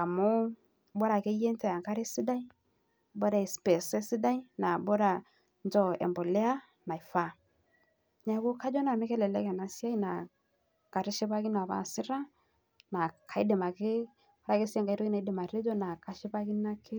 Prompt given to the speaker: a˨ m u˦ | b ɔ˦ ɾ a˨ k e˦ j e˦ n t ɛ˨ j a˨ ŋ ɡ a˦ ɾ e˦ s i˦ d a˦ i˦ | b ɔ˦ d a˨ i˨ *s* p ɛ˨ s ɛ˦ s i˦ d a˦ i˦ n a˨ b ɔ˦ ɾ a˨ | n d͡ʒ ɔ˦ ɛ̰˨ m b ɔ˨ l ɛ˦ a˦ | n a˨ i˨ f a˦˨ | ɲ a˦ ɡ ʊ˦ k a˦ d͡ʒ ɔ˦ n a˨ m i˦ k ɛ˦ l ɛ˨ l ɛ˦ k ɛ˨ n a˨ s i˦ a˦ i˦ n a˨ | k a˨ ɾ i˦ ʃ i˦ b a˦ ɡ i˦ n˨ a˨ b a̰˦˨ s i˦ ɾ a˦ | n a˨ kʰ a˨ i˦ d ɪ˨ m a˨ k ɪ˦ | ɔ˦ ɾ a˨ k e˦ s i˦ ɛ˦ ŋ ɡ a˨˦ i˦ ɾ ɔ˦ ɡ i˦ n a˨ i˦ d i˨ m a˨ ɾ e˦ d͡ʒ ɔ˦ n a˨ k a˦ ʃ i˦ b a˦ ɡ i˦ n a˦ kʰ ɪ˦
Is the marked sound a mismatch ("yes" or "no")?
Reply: no